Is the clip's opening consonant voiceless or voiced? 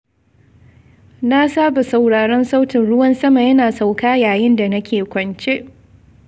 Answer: voiced